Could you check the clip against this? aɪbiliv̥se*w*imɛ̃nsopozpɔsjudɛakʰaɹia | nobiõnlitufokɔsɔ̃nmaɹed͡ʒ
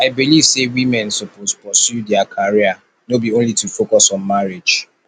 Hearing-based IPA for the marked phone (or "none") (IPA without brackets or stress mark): w